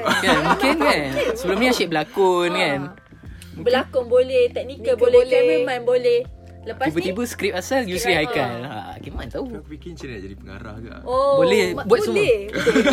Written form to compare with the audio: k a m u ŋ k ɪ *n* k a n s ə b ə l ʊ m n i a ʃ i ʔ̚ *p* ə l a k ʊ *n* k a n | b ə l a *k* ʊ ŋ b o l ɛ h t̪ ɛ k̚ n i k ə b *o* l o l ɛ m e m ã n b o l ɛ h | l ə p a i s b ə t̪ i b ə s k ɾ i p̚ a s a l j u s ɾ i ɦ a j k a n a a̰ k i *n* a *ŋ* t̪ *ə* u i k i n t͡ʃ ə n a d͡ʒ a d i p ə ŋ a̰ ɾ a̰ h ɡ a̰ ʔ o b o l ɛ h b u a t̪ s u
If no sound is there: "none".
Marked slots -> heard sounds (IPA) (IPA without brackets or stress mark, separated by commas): n, b, n, k, o, m, n, a